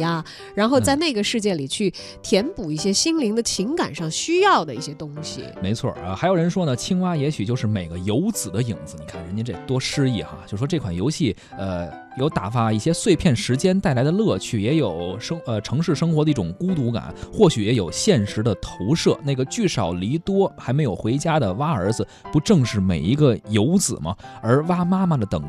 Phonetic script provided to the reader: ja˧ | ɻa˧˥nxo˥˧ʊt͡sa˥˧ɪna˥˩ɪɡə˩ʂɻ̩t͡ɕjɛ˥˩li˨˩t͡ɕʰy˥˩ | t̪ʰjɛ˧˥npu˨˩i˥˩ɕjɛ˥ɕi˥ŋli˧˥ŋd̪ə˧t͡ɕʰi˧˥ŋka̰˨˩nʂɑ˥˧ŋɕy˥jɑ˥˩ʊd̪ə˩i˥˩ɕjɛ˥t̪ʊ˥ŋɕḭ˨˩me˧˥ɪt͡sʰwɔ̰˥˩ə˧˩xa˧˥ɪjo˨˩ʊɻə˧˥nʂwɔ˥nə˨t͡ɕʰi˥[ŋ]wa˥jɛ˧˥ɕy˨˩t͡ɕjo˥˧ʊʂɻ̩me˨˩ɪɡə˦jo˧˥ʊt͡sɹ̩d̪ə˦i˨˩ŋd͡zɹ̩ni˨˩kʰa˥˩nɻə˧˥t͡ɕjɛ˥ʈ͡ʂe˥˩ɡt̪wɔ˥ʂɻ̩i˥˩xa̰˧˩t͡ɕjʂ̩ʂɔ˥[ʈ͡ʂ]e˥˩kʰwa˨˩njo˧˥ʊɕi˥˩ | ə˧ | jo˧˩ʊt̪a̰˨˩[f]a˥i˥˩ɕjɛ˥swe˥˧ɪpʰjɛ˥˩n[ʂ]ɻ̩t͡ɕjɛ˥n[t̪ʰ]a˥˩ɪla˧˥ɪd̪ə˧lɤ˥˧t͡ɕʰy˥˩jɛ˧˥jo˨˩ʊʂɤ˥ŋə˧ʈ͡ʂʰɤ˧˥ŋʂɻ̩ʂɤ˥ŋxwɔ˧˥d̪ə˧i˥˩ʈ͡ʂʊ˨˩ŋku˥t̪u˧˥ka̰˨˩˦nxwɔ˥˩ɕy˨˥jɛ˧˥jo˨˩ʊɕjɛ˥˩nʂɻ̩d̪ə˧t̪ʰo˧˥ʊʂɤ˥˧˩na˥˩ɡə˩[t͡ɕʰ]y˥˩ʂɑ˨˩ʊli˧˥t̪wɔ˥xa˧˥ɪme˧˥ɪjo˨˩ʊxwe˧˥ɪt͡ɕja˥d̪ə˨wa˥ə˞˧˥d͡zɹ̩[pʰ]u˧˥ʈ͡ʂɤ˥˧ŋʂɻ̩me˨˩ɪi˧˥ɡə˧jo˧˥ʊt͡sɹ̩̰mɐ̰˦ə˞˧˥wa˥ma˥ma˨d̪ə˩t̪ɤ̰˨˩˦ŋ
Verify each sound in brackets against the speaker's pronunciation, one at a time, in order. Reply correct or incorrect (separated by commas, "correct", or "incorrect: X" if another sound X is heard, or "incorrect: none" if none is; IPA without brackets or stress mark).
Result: correct, correct, correct, correct, incorrect: t̪, incorrect: t͡ɕ, incorrect: p